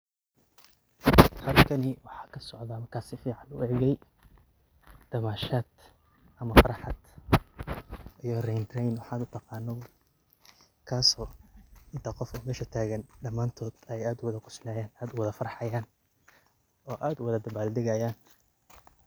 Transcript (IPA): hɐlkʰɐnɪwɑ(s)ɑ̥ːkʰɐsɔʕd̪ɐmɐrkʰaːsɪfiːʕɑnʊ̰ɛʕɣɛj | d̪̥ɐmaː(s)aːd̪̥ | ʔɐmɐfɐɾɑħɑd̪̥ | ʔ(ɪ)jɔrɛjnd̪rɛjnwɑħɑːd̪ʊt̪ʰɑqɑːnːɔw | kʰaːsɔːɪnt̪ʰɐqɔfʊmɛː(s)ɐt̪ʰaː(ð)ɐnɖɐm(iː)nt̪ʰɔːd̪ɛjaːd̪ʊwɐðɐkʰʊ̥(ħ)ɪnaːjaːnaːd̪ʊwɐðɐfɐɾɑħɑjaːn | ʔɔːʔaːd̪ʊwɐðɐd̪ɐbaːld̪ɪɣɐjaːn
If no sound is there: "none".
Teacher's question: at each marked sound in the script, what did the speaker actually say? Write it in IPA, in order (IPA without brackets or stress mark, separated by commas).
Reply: ħ, ʃ, i, ʃ, ɣ, aː, s